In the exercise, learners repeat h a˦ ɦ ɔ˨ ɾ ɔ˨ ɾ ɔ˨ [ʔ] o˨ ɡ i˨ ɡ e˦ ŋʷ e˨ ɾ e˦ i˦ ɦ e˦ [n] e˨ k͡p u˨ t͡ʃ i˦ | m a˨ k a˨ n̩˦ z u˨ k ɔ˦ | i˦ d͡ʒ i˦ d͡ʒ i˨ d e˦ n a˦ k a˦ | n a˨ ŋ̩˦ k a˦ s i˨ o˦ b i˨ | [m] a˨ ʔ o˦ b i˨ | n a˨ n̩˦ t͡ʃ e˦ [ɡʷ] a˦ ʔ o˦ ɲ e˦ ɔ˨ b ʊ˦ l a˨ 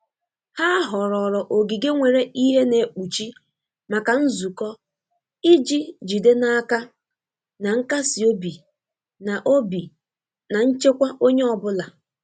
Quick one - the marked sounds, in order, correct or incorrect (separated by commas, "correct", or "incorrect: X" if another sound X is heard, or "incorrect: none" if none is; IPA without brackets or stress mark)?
correct, correct, incorrect: n, incorrect: kʷ